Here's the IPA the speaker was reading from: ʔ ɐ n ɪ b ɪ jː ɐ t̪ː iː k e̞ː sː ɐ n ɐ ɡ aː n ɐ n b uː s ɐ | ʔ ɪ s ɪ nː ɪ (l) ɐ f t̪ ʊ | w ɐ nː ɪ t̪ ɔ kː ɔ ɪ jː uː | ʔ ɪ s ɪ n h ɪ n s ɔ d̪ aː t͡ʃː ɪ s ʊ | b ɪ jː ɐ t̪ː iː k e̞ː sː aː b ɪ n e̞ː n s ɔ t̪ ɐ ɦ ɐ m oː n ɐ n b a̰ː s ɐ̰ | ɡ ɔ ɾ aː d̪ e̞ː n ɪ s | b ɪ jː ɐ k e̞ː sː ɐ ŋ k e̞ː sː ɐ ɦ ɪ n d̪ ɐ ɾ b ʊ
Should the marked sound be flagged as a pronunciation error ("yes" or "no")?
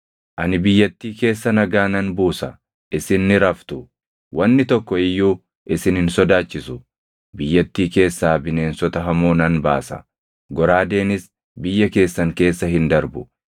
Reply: yes